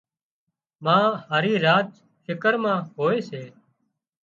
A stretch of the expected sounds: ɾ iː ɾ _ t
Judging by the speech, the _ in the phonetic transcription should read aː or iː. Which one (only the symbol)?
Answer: aː